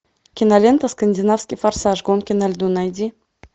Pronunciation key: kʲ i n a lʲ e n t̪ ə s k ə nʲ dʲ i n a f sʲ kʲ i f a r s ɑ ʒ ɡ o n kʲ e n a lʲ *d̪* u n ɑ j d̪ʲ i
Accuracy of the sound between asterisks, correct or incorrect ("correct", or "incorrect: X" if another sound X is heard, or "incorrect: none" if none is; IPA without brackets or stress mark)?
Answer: correct